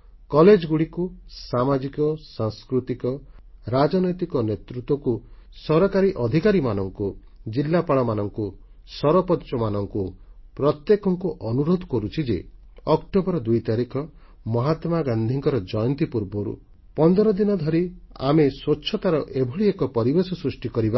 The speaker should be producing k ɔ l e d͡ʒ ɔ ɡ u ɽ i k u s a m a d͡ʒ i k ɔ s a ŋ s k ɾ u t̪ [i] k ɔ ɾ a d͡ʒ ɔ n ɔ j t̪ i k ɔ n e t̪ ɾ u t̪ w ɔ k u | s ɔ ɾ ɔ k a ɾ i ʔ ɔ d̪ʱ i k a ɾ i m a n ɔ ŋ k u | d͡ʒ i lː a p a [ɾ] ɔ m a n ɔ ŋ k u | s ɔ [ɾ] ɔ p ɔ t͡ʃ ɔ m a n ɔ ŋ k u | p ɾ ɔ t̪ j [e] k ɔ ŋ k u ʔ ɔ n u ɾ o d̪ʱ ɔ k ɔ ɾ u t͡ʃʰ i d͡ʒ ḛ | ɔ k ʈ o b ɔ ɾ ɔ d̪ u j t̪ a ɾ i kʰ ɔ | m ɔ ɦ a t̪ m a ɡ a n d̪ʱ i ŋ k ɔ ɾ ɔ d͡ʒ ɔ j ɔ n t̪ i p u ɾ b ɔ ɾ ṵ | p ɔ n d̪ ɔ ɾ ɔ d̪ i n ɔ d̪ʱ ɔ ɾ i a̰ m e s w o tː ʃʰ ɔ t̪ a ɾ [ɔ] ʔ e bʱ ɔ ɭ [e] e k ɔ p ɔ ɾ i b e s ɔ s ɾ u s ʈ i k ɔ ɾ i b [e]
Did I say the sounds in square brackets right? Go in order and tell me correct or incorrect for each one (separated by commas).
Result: correct, incorrect, correct, correct, correct, incorrect, incorrect